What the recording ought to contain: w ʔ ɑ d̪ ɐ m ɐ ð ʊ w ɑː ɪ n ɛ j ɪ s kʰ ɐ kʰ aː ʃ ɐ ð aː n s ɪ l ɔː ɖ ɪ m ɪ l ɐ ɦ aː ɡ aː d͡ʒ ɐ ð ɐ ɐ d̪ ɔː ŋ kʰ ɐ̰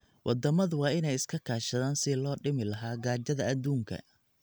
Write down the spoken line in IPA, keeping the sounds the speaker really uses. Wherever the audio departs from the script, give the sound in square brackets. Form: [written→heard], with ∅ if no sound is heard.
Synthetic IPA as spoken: w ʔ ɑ d̪ ɐ m ɐ ð ʊ w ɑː ɪ n ɛ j ɪ s kʰ ɐ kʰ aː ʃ ɐ ð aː n s ɪ l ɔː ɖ ɪ m ɪ l ɐ ɦ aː ɡ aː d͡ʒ ɐ ð ɐ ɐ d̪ [ɔː→uː] ŋ kʰ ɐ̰

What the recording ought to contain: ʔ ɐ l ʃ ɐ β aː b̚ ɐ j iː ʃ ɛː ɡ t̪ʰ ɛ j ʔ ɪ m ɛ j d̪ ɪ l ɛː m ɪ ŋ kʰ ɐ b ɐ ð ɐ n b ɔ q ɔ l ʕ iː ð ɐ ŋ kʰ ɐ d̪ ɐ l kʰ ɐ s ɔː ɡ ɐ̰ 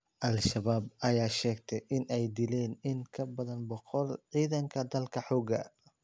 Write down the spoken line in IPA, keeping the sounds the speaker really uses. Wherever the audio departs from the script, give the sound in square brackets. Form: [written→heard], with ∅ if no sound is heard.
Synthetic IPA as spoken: ʔ ɐ l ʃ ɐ β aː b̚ ɐ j [iː→aː] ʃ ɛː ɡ t̪ʰ ɛ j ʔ ɪ [m→n] ɛ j d̪ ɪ l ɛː [m→n] ɪ ŋ kʰ ɐ b ɐ ð ɐ n b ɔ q ɔ l ʕ iː ð ɐ ŋ kʰ ɐ d̪ ɐ l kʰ ɐ [s→ħ] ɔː ɡ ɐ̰

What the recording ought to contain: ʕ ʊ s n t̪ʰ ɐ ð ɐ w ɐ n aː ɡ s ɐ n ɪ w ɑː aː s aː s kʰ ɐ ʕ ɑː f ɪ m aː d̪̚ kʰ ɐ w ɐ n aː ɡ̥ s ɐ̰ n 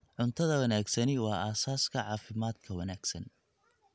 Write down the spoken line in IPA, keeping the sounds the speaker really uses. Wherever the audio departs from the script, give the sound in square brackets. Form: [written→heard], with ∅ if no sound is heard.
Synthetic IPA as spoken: ʕ ʊ [s→∅] n t̪ʰ ɐ ð ɐ w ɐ n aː ɡ s ɐ n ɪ w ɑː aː s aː s kʰ ɐ ʕ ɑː f ɪ m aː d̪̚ kʰ ɐ w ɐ n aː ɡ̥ s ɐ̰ n

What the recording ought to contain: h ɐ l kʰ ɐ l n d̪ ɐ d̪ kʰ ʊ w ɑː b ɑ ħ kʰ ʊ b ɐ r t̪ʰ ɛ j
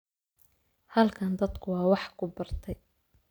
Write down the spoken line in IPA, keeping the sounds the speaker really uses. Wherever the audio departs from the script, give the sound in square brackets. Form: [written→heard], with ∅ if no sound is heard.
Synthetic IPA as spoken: h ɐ l kʰ ɐ [l→∅] n d̪ ɐ d̪ kʰ ʊ w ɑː [b→w] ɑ ħ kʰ ʊ b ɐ r t̪ʰ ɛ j

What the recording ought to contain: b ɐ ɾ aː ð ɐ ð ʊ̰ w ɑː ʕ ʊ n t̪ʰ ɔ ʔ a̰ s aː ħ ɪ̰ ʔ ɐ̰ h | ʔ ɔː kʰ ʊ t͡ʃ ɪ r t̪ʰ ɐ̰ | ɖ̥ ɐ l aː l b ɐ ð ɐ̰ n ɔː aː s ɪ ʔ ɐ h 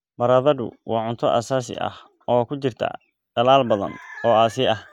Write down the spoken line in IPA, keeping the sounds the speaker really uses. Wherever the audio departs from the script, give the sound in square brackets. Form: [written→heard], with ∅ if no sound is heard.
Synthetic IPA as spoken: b ɐ ɾ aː ð ɐ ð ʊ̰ w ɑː ʕ ʊ n t̪ʰ ɔ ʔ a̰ s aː [ħ→s] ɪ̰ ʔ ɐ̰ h | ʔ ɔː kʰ ʊ t͡ʃ ɪ r t̪ʰ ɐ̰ | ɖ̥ ɐ l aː l b ɐ ð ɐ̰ n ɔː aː s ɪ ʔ ɐ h

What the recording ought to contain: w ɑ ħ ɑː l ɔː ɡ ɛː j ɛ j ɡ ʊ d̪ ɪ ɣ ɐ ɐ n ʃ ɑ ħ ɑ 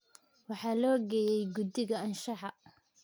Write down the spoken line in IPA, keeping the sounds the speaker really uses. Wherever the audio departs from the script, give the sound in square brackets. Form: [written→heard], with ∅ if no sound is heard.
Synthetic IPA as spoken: w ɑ ħ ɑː l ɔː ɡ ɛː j ɛ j ɡ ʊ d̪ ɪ ɣ ɐ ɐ n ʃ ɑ ħ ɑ

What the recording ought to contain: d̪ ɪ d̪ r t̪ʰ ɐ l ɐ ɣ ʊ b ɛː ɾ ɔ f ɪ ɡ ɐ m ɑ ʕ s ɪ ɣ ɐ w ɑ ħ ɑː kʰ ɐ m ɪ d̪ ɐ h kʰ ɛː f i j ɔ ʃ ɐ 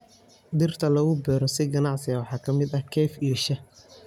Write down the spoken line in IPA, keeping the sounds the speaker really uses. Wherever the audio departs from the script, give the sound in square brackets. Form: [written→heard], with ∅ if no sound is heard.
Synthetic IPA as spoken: d̪ ɪ [d̪→∅] r t̪ʰ ɐ l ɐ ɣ ʊ b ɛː ɾ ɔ [f→s] ɪ ɡ ɐ [m→n] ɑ ʕ s ɪ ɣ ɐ w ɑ ħ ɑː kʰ ɐ m ɪ d̪ ɐ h kʰ ɛː f i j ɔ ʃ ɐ

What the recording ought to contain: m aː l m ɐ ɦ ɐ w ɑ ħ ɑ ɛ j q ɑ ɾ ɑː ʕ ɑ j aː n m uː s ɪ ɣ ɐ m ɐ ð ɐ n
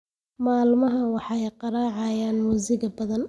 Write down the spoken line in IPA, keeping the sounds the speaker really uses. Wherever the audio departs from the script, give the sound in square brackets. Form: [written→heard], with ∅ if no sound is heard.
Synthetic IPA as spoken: m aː l m ɐ ɦ ɐ w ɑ ħ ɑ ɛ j q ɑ ɾ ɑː ʕ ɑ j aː n m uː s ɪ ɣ ɐ [m→b] ɐ ð ɐ n

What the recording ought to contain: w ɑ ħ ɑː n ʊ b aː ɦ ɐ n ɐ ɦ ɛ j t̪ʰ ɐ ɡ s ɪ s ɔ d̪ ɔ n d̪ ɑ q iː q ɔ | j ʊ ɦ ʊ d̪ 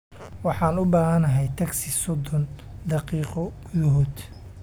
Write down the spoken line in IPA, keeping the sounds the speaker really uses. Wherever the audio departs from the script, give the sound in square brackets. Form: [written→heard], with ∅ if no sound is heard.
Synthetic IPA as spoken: w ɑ ħ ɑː n ʊ b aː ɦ ɐ n ɐ ɦ ɛ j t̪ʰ ɐ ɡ s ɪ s ɔ d̪ ɔ n d̪ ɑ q iː q ɔ | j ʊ ɦ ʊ d̪

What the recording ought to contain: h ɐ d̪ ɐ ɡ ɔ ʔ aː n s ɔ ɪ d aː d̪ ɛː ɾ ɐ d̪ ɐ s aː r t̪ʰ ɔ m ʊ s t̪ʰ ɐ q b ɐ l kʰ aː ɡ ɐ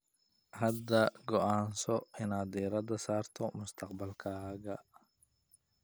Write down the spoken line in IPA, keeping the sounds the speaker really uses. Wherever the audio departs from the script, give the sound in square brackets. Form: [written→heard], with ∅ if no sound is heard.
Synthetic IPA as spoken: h ɐ d̪ ɐ ɡ ɔ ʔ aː n s ɔ ɪ [d→n] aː d̪ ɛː ɾ ɐ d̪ ɐ s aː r t̪ʰ ɔ m ʊ s t̪ʰ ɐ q b ɐ l kʰ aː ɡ ɐ

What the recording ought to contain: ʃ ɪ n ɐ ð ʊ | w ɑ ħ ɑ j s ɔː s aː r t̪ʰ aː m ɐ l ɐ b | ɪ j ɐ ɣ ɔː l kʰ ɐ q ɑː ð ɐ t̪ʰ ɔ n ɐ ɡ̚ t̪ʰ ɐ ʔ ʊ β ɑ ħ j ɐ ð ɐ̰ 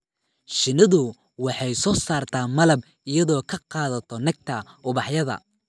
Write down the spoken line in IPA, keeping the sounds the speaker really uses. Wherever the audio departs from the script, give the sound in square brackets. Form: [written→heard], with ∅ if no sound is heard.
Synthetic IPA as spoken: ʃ ɪ n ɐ ð ʊ | w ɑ ħ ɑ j s ɔː s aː r t̪ʰ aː m ɐ l ɐ b | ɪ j ɐ [ɣ→ð] ɔː [l→∅] kʰ ɐ q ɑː ð ɐ t̪ʰ ɔ n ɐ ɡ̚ t̪ʰ ɐ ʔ ʊ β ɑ ħ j ɐ ð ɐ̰

